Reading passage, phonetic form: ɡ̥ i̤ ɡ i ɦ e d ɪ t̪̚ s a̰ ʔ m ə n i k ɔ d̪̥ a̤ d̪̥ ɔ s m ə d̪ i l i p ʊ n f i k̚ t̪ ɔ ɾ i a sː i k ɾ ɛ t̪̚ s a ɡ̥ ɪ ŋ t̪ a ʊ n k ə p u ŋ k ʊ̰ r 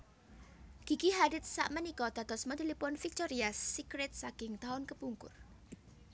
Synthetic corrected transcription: ɡ̥ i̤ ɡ i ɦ a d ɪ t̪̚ s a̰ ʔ m ə n i k ɔ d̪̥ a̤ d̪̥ ɔ s m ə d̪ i l i p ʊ n f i k̚ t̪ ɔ ɾ i a sː i k ɾ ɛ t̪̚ s a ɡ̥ ɪ ŋ t̪ a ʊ n k ə p u ŋ k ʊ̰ r

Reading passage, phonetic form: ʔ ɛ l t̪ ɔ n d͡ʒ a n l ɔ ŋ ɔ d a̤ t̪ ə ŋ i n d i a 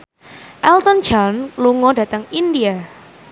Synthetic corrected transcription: ʔ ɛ l t̪ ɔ n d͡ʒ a n l u ŋ ɔ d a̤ t̪ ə ŋ i n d i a

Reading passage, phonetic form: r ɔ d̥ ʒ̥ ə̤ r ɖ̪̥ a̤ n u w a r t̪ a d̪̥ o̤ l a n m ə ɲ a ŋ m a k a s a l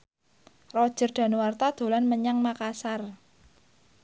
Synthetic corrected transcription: r ɔ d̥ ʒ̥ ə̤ r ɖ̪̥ a̤ n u w a r t̪ a d̪̥ o̤ l a n m ə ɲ a ŋ m a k a s a r

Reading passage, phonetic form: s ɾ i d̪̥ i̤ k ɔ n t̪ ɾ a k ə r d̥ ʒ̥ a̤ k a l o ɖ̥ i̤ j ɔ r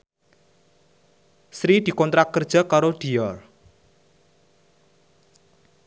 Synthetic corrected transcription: s ɾ i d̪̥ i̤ k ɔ n t̪ ɾ a k ə r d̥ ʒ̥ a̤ k a ɾ o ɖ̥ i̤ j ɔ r

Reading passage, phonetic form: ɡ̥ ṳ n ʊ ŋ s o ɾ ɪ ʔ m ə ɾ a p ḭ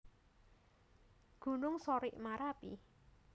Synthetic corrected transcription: ɡ̥ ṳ n ʊ ŋ s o ɾ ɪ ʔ m a ɾ a p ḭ

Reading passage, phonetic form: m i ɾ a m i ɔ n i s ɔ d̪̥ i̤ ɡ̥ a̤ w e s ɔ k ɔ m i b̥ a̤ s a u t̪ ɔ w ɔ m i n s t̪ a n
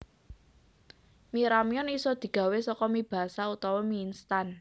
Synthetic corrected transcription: m i ɾ a m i ɔ n i s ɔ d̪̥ i̤ ɡ̥ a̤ w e s ɔ k ɔ m i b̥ a̤ s a u t̪ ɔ w ɔ m i n s t̪ a n

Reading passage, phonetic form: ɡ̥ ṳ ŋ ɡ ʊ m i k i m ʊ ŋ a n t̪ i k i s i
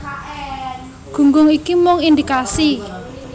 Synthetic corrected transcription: ɡ̥ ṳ ŋ ɡ ʊ ŋ i k i m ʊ ŋ i n d̪ i k a s i

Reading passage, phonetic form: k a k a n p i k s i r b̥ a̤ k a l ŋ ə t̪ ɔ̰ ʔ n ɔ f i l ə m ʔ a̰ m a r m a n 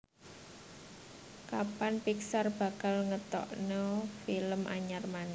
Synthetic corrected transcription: k a p a n p i k s a r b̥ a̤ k a l ŋ ə t̪ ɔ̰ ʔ n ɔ f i l ə m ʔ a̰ ɲ a r m a n

